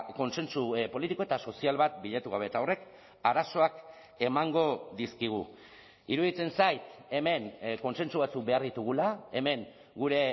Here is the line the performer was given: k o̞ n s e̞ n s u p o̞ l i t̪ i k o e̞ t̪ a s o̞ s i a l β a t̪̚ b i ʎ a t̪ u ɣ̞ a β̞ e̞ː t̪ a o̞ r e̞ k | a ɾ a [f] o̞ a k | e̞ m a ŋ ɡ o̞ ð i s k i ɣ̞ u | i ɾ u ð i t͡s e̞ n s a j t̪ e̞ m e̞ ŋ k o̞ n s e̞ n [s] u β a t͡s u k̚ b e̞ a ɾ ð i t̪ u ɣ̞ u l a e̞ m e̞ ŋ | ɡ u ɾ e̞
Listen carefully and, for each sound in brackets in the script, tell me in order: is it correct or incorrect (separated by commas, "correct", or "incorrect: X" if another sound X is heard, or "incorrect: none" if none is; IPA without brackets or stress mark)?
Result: incorrect: s, correct